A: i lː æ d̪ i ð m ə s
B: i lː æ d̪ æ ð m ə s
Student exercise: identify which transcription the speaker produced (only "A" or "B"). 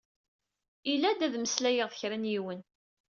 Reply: B